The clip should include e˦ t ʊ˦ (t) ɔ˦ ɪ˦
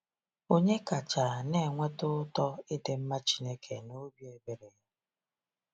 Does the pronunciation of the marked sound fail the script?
no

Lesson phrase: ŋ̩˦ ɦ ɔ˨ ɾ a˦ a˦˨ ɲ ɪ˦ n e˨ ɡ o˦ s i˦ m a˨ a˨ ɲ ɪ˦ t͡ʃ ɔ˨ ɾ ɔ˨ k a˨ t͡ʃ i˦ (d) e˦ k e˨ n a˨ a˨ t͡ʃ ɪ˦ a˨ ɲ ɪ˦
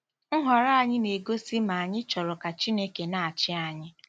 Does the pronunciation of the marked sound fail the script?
yes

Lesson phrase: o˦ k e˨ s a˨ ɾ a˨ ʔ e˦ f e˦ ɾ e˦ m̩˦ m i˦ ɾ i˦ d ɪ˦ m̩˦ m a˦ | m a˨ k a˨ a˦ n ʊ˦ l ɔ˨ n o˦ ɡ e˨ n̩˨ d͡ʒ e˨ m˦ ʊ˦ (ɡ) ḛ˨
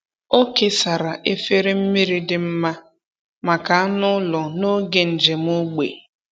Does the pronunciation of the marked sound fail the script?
yes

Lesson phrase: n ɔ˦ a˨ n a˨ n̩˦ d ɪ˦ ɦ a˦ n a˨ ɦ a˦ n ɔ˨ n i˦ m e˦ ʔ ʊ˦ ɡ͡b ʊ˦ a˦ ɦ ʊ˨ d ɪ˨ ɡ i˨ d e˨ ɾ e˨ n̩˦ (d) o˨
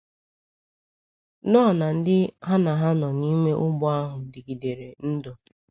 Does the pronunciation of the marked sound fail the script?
no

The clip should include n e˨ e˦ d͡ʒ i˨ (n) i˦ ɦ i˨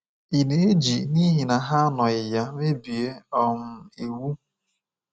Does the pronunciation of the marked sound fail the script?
no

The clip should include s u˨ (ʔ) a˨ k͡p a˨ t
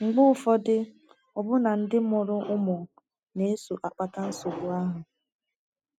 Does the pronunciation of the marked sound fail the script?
no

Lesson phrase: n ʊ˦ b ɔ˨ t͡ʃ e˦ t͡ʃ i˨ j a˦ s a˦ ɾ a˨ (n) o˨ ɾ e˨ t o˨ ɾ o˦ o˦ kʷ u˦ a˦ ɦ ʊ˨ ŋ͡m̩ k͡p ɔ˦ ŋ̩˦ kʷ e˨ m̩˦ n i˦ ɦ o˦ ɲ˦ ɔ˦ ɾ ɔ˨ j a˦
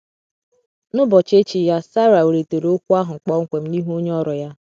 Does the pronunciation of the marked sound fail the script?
yes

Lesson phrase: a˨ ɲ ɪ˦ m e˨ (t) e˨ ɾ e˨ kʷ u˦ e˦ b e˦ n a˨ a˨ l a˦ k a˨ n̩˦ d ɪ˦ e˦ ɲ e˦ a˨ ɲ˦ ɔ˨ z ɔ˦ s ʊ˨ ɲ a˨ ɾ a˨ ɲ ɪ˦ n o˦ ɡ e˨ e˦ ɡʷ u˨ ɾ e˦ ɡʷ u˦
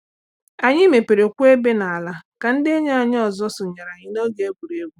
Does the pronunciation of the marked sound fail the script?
yes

